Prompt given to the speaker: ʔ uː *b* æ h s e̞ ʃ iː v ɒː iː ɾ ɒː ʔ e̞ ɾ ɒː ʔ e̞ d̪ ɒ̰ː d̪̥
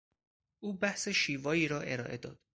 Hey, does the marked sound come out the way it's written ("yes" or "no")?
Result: yes